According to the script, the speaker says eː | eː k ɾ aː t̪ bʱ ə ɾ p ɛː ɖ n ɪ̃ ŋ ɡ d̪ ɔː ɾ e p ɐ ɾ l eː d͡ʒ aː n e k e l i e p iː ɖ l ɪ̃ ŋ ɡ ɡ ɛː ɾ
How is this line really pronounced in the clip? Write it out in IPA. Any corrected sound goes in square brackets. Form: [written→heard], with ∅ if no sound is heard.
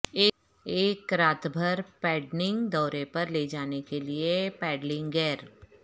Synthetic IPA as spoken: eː | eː k ɾ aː t̪ bʱ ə ɾ p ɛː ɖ n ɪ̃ ŋ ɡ d̪ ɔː ɾ e p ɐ ɾ l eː d͡ʒ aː n e k e l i e p [iː→ɛː] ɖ l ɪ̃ ŋ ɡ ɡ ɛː ɾ